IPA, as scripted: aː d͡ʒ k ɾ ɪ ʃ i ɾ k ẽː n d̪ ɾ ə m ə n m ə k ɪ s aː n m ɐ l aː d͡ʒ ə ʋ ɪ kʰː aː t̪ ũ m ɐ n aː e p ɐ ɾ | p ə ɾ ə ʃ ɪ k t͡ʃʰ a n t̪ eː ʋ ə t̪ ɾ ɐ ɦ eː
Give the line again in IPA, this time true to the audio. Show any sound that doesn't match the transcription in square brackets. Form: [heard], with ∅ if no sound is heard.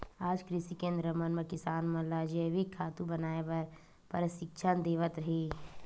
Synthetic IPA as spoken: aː d͡ʒ k ɾ ɪ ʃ i [∅] k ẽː n d̪ ɾ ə m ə n m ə k ɪ s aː n m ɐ l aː d͡ʒ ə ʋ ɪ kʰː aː t̪ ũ [b] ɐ n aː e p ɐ ɾ | p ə ɾ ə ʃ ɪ k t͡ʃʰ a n [d̪] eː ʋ ə t̪ ɾ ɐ ɦ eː